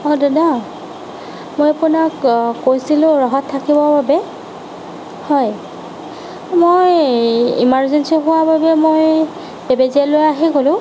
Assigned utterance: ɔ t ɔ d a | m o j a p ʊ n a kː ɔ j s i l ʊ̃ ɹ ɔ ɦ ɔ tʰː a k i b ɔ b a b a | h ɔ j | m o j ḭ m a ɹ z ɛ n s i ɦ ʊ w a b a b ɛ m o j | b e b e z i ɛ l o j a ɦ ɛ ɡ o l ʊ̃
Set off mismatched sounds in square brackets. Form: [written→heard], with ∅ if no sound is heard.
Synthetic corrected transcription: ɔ [t→d] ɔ d a | m o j a p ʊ n a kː [ɔ→o] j s i l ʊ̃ ɹ ɔ ɦ ɔ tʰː a k i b ɔ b a b [a→ɛ] | h ɔ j | m o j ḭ m a ɹ z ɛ n s i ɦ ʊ w a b a b ɛ m o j | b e b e z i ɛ l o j a ɦ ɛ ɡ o l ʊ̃